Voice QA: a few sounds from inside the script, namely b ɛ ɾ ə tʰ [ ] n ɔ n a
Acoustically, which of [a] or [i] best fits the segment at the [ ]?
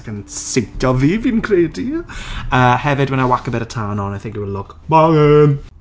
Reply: a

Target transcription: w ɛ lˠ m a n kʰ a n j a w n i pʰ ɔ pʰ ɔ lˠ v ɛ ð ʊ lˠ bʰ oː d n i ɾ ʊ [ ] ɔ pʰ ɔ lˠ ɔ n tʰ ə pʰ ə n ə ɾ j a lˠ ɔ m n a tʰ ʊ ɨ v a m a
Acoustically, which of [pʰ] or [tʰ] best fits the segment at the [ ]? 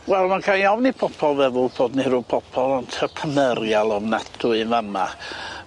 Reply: pʰ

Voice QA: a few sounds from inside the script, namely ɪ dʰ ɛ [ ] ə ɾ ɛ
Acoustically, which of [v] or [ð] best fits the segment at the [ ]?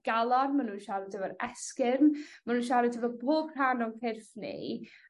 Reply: v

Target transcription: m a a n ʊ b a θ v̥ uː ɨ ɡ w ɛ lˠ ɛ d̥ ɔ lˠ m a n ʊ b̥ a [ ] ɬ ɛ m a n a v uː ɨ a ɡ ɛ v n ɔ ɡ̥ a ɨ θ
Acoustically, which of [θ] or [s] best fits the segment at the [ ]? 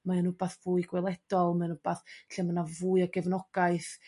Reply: θ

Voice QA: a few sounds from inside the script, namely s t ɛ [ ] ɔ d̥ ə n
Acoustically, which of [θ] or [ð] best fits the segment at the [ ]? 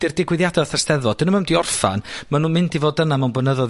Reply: ð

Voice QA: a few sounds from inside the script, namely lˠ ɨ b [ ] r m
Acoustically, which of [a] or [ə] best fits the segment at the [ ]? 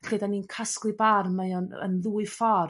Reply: a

